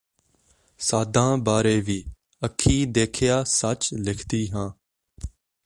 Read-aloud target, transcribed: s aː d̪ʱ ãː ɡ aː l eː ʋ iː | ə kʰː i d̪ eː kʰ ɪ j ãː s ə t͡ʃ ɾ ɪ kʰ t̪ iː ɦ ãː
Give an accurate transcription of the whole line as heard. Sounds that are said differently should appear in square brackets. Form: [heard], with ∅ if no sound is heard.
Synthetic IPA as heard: s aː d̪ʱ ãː [b] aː [ɾ] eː ʋ iː | ə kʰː [iː] d̪ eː kʰ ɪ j [aː] s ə t͡ʃ [l] ɪ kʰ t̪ iː ɦ ãː